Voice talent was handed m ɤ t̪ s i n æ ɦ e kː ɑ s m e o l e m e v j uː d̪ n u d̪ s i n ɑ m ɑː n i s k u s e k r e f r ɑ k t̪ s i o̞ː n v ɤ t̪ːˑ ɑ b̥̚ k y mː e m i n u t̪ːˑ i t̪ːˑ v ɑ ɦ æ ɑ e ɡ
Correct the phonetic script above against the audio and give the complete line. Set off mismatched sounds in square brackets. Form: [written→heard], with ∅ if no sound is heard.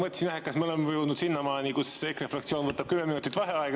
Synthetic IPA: m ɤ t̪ s i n æ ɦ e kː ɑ s m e o l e m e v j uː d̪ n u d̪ s i [n→nː] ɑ m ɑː n i [s→∅] k u s e k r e f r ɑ k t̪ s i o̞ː n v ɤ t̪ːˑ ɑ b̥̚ k y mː e m i n u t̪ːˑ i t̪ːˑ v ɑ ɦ [æ→e] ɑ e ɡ